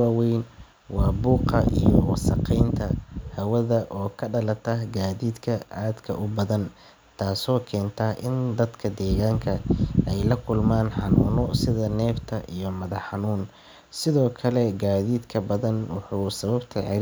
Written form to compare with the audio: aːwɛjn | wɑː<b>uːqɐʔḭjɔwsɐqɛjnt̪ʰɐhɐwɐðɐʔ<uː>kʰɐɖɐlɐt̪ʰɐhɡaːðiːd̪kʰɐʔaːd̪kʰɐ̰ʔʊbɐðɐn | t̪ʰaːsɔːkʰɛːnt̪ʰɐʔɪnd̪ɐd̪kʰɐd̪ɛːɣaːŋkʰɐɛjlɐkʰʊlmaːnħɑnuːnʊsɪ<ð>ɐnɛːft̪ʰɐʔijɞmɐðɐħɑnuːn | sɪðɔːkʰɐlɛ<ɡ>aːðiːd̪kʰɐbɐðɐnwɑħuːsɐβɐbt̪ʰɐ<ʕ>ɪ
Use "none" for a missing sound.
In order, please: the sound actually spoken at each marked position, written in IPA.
b, ɔː, ð, ɡ, ʕ

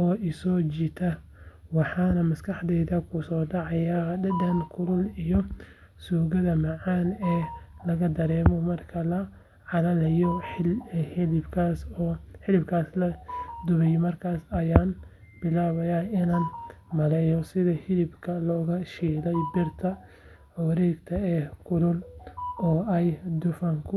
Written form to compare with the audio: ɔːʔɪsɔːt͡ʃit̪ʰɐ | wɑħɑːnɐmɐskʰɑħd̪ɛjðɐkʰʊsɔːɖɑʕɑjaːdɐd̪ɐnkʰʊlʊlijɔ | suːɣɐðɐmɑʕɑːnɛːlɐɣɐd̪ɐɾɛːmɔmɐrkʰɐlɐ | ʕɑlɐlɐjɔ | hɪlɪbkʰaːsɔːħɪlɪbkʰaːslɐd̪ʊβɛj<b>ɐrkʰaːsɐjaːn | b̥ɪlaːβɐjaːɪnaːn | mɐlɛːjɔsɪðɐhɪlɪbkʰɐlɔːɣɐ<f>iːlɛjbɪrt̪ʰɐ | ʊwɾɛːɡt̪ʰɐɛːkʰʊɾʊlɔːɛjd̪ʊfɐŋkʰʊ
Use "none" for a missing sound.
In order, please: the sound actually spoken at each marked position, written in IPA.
m, ʃ

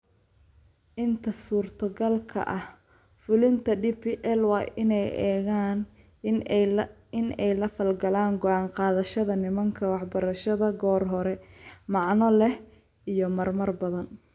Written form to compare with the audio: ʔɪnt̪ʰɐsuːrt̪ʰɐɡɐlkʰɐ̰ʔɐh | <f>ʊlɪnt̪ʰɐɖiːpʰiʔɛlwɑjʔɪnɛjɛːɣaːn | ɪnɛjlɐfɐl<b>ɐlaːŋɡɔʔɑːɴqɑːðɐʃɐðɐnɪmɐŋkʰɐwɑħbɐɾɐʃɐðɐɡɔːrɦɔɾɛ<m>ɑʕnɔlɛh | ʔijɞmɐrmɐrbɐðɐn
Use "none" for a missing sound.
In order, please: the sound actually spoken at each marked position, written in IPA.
f, ɡ, m

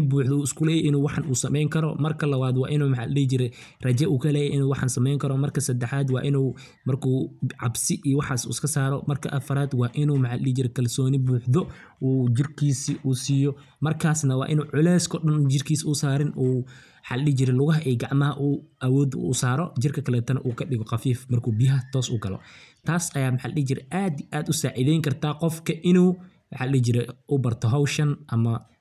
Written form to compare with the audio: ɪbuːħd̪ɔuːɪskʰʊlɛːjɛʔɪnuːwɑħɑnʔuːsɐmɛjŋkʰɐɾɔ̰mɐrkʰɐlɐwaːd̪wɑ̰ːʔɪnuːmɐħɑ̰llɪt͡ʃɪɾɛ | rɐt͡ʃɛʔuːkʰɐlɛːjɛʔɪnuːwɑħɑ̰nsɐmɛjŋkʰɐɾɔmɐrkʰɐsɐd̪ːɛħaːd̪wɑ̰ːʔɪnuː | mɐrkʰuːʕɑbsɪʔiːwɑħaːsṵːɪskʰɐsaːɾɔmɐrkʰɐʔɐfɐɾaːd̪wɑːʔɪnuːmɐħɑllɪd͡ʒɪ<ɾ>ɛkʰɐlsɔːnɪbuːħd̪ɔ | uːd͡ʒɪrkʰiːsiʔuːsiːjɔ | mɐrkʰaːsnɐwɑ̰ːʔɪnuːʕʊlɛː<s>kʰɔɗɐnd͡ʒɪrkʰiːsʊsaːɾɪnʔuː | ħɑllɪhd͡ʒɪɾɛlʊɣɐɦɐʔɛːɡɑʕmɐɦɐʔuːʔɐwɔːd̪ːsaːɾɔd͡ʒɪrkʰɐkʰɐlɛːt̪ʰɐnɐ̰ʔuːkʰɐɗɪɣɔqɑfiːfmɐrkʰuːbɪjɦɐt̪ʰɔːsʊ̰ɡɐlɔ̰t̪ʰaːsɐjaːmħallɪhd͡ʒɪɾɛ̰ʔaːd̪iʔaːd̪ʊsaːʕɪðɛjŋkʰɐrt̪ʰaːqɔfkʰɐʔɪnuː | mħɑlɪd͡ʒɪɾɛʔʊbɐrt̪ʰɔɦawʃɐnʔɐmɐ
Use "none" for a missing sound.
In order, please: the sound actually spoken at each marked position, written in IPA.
ɾ, s

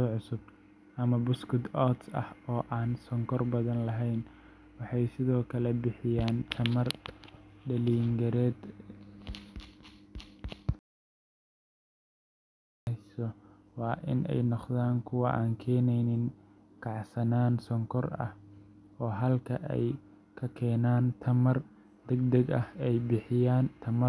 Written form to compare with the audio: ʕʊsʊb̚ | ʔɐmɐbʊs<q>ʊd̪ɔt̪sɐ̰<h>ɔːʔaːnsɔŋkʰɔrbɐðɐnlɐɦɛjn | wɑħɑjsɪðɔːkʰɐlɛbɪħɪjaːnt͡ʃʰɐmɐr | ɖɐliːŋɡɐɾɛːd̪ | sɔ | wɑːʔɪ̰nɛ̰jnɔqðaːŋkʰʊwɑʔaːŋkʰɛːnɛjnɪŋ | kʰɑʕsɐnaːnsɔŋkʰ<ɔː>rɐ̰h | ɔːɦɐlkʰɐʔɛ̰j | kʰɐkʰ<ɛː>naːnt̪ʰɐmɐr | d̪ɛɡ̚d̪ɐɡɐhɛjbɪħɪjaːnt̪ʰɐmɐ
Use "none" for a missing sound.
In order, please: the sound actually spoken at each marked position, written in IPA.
k, h, ɔ, ɛː

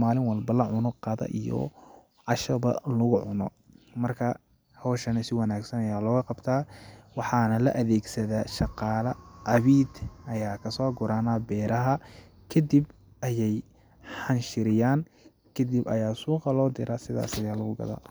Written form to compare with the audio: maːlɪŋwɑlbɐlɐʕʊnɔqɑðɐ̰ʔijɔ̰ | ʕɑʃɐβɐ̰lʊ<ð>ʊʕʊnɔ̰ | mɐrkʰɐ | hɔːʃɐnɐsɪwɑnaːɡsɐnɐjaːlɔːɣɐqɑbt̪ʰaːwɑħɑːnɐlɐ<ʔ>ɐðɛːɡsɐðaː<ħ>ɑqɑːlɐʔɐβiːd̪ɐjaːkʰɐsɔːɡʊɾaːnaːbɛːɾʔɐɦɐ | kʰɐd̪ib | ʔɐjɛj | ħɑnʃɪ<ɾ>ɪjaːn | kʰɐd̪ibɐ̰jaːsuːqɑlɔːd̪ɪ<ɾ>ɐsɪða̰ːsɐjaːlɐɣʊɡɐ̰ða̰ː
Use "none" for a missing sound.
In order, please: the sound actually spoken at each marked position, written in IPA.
ɣ, ʔ, ʃ, ɾ, ɾ

